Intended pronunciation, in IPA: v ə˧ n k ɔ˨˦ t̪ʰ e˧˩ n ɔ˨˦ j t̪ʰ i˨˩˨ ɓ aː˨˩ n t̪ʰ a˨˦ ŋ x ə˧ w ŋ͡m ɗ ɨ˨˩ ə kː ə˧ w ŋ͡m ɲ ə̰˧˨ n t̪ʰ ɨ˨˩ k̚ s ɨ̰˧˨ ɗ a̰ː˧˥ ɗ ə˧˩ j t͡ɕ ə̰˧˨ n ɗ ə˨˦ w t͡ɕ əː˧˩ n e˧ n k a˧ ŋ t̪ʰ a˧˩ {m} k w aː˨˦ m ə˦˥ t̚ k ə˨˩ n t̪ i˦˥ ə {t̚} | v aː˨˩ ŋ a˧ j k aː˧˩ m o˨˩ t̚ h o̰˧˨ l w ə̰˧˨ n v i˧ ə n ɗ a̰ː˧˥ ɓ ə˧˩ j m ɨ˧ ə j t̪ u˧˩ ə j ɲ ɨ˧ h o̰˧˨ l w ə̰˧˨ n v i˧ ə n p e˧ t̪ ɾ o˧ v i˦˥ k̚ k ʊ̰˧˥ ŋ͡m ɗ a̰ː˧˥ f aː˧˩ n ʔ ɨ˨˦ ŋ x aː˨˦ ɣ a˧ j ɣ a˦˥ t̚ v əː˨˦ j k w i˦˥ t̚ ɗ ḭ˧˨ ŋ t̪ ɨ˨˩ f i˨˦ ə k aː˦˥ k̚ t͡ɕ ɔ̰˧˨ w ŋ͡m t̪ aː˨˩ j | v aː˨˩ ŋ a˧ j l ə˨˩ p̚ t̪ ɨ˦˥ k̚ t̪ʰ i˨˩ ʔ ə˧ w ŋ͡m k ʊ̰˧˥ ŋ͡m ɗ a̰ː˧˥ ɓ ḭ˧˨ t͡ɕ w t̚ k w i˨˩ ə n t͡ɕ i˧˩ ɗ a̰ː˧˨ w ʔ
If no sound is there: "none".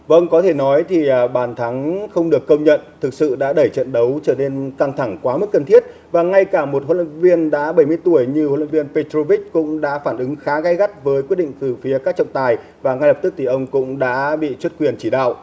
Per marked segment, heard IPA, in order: ŋ, t̚

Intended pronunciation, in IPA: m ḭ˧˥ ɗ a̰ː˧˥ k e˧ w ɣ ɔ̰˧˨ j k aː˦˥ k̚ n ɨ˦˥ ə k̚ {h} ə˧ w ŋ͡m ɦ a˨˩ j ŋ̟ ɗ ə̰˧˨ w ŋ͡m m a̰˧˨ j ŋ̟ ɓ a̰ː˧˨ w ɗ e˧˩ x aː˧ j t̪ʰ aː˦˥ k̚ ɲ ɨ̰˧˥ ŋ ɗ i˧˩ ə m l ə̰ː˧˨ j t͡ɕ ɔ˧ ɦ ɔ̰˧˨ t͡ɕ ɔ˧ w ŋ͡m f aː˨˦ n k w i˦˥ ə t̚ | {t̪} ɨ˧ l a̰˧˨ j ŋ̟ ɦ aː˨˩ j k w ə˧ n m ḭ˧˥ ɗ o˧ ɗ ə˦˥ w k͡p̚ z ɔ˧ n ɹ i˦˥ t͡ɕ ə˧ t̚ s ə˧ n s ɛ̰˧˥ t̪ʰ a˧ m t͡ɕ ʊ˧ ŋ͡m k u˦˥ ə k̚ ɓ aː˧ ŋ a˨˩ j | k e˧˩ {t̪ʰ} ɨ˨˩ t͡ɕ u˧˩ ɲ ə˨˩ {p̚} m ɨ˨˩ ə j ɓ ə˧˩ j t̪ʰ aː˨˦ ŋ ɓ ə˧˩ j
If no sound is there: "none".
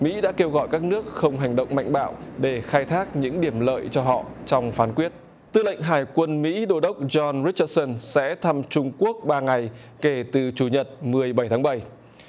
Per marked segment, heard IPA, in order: x, t̪, t̪, t̚

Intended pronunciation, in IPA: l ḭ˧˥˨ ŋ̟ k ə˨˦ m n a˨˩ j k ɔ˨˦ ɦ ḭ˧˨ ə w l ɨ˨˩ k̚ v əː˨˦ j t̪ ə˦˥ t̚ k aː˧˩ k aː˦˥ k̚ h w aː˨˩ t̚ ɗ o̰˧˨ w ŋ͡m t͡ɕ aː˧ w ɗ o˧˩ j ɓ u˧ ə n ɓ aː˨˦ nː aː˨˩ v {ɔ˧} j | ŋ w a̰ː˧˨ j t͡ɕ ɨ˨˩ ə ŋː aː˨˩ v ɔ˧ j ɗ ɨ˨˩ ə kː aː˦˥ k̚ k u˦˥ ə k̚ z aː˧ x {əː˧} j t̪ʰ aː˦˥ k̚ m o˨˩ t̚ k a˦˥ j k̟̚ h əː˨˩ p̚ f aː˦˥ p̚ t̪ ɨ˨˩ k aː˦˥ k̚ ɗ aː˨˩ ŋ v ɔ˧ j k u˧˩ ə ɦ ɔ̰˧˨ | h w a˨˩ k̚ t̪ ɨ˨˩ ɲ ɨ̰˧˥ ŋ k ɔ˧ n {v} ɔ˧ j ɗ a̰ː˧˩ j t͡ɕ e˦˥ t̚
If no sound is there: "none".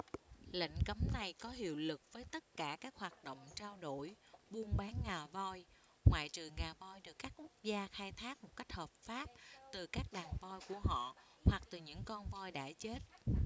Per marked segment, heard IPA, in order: ɔ˧, aː˧, v

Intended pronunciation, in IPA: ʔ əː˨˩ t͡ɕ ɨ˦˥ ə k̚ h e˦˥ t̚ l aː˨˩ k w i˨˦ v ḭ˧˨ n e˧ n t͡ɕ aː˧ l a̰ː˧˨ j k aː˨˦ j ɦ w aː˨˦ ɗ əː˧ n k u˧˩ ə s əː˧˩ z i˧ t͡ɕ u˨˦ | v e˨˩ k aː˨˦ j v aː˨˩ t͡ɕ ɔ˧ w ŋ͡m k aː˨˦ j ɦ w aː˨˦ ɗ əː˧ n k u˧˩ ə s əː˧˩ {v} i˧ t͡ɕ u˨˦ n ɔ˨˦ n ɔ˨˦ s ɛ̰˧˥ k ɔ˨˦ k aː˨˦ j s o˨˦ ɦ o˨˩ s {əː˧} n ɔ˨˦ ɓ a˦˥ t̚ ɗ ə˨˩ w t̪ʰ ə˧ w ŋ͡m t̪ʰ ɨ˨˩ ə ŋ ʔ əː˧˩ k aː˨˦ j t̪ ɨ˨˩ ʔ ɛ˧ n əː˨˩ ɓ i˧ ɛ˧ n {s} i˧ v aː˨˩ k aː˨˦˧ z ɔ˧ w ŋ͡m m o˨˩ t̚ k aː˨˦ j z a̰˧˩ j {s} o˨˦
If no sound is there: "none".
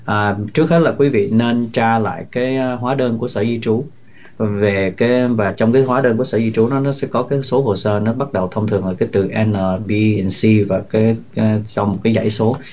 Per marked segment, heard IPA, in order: z, əː˧, s, s

